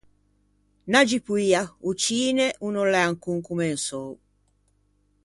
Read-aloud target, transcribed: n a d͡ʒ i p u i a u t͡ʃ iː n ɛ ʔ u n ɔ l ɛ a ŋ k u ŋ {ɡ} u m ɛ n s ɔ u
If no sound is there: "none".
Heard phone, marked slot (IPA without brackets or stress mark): k